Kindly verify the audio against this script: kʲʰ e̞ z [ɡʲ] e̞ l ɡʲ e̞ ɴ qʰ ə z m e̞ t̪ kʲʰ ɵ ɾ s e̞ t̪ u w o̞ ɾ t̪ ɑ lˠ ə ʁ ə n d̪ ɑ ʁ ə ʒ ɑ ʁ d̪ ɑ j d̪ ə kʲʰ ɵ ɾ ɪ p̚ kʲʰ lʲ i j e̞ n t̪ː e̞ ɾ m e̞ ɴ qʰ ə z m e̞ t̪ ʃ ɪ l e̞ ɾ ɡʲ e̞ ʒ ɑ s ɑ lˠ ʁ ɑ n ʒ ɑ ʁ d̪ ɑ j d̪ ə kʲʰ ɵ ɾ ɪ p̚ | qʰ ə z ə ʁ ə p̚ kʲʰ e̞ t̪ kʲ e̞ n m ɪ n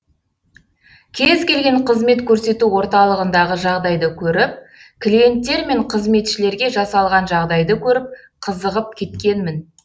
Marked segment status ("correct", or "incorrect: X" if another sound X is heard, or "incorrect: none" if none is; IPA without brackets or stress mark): incorrect: kʲ